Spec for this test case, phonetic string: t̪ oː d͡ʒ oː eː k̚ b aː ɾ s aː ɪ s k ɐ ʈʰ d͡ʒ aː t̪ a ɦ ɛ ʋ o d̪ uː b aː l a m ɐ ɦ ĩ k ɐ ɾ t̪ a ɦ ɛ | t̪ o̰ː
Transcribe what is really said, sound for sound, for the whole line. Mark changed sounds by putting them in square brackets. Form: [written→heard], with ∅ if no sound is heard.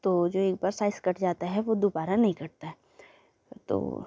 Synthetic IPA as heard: t̪ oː d͡ʒ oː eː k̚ b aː ɾ s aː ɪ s k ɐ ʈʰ d͡ʒ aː t̪ a ɦ ɛ ʋ o d̪ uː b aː [l→ɾ] a [m→n] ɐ ɦ ĩ k ɐ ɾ t̪ a ɦ ɛ | t̪ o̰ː